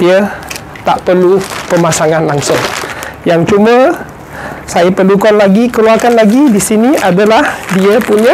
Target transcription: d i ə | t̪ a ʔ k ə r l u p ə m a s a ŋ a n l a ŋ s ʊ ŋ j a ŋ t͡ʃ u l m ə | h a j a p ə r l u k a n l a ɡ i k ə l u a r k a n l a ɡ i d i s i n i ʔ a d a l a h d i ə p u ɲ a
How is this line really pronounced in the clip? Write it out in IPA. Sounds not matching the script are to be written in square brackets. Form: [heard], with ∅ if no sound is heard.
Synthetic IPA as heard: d i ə | t̪ a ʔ [p] ə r l u p ə m a s a ŋ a n l a ŋ s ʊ ŋ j a ŋ t͡ʃ u [∅] m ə | [s] a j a p ə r l u k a n l a ɡ i k ə l u a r k a n l a ɡ i d i s i n i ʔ a d a l a h d i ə p u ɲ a